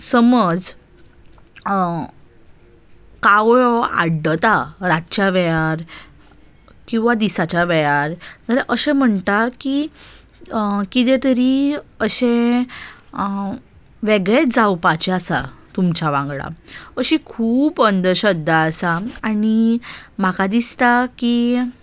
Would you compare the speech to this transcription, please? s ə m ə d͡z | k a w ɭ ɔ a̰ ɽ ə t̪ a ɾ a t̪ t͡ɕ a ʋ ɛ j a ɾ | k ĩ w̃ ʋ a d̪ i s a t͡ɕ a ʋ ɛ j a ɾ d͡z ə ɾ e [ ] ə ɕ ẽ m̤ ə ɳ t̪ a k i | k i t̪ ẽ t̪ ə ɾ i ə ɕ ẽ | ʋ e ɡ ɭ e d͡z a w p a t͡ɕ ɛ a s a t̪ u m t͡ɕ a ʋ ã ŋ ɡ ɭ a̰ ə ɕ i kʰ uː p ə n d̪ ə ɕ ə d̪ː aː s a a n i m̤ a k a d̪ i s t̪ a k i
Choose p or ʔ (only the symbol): ʔ